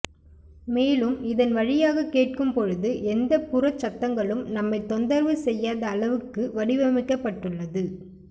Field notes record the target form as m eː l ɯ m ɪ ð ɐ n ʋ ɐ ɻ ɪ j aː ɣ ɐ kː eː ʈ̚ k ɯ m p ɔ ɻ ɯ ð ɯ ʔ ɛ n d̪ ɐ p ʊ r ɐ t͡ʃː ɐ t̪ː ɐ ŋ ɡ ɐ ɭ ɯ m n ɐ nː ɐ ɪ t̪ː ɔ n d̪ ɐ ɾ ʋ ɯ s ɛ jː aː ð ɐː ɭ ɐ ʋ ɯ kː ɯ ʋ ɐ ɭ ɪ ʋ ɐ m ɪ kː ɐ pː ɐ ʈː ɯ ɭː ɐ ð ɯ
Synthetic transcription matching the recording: m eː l ɯ m ɪ ð ɐ n ʋ ɐ ɻ ɪ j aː ɣ ɐ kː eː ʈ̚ k ɯ m p ɔ ɻ ɯ ð ɯ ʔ ɛ n d̪ ɐ p ʊ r ɐ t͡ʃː ɐ t̪ː ɐ ŋ ɡ ɐ ɭ ɯ m n ɐ mː ɐ ɪ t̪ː ɔ n d̪ ɐ ɾ ʋ ɯ s ɛ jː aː ð ɐː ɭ ɐ ʋ ɯ kː ɯ ʋ ɐ ɽ ɪ ʋ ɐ m ɪ kː ɐ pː ɐ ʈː ɯ ɭː ɐ ð ɯ